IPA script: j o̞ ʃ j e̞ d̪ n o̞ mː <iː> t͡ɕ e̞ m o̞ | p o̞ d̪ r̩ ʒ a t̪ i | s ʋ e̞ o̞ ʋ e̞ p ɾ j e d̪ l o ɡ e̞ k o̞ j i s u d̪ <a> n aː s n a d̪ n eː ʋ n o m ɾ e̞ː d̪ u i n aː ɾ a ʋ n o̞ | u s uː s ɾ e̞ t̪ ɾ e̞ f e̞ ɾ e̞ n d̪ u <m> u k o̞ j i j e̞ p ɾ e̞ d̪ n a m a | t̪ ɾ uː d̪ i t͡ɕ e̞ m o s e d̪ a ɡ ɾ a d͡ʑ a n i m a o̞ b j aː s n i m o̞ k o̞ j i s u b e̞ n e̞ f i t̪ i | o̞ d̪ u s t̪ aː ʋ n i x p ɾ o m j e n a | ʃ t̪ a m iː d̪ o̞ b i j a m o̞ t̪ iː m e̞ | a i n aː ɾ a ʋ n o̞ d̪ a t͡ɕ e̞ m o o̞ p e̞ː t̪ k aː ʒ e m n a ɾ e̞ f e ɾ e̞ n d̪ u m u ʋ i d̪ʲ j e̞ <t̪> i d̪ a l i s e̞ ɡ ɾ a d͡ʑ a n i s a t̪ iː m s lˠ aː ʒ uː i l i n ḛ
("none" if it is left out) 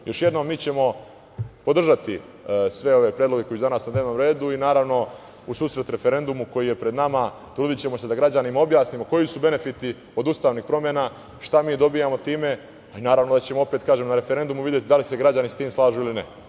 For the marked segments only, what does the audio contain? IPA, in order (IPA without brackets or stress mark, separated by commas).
iː, a, m, t̪